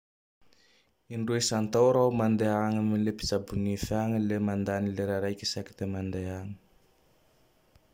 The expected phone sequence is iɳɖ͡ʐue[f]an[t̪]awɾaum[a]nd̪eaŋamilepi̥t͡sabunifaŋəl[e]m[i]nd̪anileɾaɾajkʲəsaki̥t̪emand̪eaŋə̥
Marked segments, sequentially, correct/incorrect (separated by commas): incorrect, correct, correct, correct, incorrect